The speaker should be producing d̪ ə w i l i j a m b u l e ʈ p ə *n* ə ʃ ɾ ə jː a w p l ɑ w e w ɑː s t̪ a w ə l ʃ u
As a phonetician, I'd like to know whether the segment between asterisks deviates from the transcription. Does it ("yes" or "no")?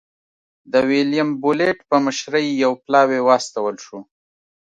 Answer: yes